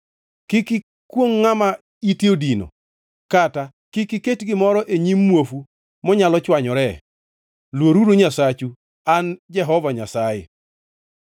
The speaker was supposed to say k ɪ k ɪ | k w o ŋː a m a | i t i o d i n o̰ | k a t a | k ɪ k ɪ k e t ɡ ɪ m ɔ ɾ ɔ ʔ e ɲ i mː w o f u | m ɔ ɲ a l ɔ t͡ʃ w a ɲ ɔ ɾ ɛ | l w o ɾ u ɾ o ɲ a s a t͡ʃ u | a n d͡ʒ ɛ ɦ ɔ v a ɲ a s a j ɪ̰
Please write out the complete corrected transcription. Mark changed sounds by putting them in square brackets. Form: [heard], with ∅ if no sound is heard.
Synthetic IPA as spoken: k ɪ k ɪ | k w o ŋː a m a | i t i o d i n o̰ | k a t a | k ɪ k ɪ k e t ɡ ɪ m ɔ ɾ ɔ ʔ e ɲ i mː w o f u | m ɔ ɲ a l ɔ t͡ʃ w a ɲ ɔ ɾ ɛ | l w o ɾ u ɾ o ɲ a s a t͡ʃ u | a n d͡ʒ ɛ ɦ ɔ v a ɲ a s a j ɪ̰